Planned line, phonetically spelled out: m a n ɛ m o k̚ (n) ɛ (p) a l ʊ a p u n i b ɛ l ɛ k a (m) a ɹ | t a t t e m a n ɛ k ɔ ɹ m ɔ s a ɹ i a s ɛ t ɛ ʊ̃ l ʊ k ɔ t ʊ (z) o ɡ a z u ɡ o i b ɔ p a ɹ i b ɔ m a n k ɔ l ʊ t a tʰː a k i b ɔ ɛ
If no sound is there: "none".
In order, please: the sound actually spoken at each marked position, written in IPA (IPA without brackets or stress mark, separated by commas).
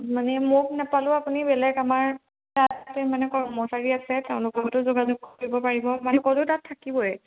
n, p, m, z